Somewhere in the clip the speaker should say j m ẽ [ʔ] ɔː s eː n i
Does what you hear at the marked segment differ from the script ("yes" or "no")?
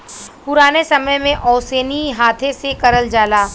no